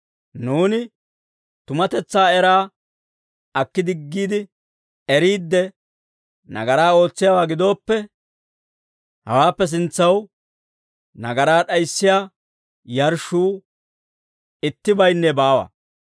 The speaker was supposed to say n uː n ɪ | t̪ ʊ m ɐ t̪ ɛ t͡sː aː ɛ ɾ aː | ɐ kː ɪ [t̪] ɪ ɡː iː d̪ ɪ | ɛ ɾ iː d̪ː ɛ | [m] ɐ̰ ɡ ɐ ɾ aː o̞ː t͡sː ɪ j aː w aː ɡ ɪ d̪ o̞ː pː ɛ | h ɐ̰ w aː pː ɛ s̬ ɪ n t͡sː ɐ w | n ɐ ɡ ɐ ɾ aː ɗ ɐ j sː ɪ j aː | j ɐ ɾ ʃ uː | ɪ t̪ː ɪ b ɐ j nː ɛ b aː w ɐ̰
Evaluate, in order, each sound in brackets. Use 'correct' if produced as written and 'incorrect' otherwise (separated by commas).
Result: incorrect, incorrect